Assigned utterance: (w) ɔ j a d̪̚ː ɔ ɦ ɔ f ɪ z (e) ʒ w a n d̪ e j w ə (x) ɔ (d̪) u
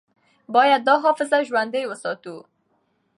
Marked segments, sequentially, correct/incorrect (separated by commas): incorrect, incorrect, incorrect, incorrect